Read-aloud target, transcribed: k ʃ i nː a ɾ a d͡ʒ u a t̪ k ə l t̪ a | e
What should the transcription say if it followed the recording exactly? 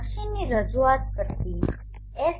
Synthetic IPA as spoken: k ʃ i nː i ɾ ə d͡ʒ u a t̪ k ə ɾ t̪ i | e